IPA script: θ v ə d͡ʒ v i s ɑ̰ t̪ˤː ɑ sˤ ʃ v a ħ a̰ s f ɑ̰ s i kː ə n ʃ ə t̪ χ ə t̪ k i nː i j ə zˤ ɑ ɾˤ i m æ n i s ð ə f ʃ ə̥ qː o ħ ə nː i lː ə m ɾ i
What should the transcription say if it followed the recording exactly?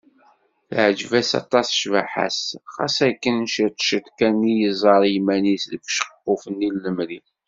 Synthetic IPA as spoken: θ ʕ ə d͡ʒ v æ s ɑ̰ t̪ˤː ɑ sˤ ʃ v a ħ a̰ s χ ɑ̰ s æ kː ə n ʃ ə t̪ ʃ ə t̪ k æ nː i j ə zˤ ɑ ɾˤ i m æ n i s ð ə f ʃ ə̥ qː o f ə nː i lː ə m ɾ i